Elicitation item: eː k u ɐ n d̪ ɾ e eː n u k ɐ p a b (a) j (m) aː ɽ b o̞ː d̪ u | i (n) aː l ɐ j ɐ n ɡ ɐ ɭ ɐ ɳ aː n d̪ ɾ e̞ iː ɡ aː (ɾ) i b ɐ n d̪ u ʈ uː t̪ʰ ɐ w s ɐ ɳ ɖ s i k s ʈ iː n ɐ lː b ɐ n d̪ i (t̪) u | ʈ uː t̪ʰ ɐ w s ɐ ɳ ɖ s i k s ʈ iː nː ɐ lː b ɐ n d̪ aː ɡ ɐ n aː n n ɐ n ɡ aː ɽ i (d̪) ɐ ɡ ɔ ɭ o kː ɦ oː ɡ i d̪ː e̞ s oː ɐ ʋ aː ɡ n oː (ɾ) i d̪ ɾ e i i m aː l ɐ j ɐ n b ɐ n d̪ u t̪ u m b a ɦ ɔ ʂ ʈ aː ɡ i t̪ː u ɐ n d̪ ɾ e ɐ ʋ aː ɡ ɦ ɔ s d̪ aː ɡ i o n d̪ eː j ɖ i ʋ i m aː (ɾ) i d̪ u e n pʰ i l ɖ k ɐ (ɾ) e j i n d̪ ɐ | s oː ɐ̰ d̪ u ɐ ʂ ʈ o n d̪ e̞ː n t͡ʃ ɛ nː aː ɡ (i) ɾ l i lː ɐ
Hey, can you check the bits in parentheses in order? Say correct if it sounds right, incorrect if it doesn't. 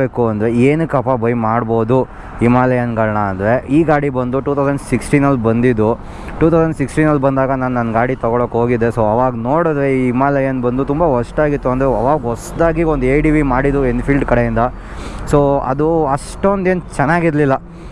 incorrect: ɐ, correct, incorrect: m, incorrect: ɽ, incorrect: d̪, incorrect: t̪, incorrect: ɽ, incorrect: ɽ, incorrect: ɽ, correct

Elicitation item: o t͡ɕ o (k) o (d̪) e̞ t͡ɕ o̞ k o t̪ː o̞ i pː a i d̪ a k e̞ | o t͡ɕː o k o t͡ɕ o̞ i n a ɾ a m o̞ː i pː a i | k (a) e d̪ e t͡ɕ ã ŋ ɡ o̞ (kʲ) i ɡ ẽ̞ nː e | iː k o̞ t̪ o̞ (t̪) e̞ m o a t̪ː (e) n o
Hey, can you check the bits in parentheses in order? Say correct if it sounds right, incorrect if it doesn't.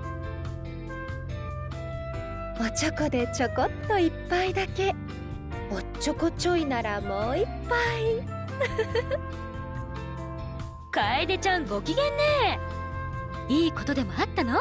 correct, correct, correct, correct, incorrect: d̪, incorrect: a

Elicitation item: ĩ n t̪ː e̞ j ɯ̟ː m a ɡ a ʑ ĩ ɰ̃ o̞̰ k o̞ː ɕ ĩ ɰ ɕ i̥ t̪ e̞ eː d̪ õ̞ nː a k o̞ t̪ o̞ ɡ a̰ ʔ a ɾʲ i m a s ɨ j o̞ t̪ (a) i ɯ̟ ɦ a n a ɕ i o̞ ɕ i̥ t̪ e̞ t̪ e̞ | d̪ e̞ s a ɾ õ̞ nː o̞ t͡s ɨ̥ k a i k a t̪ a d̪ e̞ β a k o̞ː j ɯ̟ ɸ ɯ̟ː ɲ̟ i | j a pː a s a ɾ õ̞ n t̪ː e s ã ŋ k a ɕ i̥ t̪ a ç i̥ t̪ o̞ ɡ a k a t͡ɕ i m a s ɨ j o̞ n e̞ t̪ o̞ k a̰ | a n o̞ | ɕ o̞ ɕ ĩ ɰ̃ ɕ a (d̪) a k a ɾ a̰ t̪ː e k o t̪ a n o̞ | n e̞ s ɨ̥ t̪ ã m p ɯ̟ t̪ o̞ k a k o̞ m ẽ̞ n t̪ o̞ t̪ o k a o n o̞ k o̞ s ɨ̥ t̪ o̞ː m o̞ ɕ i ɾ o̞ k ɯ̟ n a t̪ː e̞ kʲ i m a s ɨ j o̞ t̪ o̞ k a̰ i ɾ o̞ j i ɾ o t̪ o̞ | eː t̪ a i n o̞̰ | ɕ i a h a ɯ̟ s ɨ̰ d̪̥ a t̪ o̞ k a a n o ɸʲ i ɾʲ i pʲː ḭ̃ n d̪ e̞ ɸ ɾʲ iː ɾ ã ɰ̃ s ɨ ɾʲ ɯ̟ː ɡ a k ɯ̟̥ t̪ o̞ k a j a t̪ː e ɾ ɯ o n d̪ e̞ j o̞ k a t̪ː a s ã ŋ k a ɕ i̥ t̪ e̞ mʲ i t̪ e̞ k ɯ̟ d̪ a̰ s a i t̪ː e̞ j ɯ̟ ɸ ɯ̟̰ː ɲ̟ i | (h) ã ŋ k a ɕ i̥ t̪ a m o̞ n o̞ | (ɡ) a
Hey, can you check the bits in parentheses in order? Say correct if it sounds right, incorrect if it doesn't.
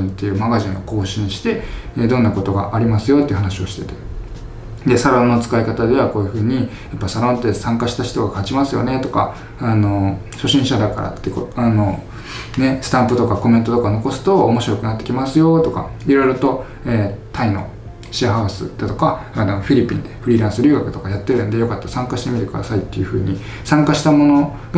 incorrect: e, correct, incorrect: s, correct

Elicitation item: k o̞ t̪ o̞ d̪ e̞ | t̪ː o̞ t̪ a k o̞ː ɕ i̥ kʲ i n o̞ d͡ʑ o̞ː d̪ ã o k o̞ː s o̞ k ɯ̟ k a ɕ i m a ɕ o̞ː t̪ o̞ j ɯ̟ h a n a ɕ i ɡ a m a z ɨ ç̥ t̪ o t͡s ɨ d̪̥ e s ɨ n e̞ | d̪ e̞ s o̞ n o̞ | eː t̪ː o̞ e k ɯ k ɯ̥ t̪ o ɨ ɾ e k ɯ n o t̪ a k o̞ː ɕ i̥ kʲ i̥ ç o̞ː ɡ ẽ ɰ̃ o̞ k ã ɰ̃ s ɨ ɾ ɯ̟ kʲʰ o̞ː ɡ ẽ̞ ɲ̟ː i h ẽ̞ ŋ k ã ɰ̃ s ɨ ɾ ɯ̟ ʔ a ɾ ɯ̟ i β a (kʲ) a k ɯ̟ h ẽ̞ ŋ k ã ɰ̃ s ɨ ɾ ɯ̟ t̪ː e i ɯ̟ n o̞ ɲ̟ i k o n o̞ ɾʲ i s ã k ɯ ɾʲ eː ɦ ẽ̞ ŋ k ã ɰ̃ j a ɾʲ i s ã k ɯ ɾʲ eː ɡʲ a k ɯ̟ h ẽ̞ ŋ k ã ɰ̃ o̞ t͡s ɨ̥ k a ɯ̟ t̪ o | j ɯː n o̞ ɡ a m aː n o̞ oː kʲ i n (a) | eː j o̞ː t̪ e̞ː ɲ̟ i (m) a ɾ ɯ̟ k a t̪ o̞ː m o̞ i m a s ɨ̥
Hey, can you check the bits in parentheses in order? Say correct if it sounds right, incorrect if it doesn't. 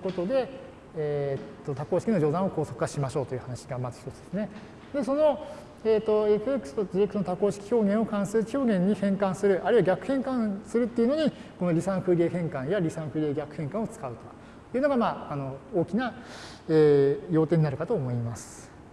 incorrect: ɡʲ, correct, incorrect: n

